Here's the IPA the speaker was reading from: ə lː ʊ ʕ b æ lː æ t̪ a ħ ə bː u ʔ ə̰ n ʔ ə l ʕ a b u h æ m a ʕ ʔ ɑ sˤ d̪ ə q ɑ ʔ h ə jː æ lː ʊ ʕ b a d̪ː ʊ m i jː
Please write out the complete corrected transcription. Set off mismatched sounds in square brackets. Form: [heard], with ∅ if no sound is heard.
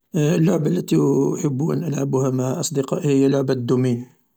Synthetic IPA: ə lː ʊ ʕ b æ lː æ t̪ [i] ħ ə bː u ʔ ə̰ n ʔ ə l ʕ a b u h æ m a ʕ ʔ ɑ sˤ d̪ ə q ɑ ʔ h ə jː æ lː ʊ ʕ b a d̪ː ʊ m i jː